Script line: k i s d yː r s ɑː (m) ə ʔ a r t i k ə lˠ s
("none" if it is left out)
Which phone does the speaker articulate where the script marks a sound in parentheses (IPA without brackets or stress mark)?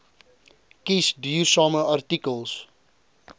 m